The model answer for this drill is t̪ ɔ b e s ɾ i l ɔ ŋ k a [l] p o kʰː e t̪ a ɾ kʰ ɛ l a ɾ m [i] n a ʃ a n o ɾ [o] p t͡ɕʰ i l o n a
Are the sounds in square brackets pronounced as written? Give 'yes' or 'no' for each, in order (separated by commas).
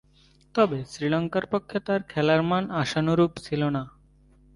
no, no, no